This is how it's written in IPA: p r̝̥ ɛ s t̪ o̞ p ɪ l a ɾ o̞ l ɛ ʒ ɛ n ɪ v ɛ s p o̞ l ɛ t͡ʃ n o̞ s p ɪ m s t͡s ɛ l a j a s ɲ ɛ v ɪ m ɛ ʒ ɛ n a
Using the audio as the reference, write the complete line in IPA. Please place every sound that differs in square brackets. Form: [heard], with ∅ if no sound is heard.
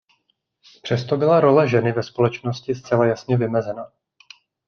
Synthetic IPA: p r̝̥ ɛ s t̪ o̞ [b] ɪ l a ɾ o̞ l ɛ ʒ ɛ n ɪ v ɛ s p o̞ l ɛ t͡ʃ n o̞ s [c] ɪ [∅] s t͡s ɛ l a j a s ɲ ɛ v ɪ m ɛ [z] ɛ n a